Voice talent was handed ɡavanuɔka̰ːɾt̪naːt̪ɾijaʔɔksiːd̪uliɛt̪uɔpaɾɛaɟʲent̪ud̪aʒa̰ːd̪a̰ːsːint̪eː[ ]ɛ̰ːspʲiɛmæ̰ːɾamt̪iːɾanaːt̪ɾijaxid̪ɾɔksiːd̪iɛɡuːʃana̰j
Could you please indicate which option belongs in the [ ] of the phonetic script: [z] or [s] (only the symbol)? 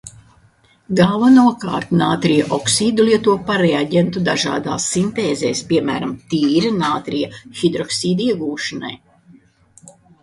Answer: z